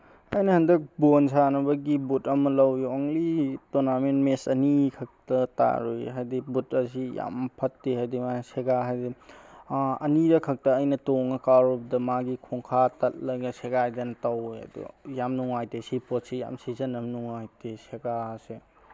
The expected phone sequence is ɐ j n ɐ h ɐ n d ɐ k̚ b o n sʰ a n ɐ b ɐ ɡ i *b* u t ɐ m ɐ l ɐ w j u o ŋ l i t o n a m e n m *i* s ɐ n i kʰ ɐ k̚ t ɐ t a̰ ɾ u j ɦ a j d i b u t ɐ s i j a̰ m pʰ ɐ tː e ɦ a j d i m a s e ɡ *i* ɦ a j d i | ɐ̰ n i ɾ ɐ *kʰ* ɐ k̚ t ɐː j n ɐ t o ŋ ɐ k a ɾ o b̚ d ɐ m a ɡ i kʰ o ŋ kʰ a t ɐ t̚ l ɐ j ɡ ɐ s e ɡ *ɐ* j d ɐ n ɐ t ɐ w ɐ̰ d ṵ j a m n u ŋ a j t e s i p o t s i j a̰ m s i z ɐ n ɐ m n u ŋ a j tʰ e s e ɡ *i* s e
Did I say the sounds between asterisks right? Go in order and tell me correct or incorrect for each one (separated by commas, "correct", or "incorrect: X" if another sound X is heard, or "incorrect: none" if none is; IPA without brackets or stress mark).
correct, incorrect: e, incorrect: a, correct, incorrect: a, incorrect: a